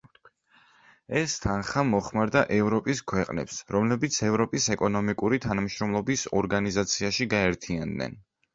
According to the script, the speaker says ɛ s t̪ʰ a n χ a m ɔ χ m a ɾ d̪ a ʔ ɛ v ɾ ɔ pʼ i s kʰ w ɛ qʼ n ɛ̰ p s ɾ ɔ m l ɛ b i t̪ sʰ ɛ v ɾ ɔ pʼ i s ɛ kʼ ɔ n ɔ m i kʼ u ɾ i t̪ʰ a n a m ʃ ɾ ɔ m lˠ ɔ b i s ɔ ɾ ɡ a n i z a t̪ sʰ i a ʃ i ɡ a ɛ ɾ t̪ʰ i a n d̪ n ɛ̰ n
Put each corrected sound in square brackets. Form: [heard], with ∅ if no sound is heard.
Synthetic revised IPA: ɛ s t̪ʰ a n χ a m ɔ χ m a ɾ d̪ a ʔ ɛ v ɾ ɔ pʼ i s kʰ w ɛ qʼ n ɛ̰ p s ɾ ɔ m l ɛ b i t̪ sʰ ɛ v ɾ ɔ pʼ i s ɛ kʼ ɔ n ɔ m i kʼ u ɾ i t̪ʰ a n a m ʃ ɾ ɔ m lˠ ɔ b i s ɔ ɾ ɡ a n i z a t̪ sʰ i a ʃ i ɡ a ɛ ɾ t̪ʰ i a n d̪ n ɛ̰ n